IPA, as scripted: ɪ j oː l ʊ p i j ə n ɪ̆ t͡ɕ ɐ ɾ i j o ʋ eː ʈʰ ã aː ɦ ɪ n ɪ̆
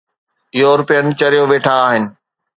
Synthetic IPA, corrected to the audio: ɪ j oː ɾ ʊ p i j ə n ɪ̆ t͡ɕ ɐ ɾ i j o ʋ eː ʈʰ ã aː ɦ ɪ n ɪ̆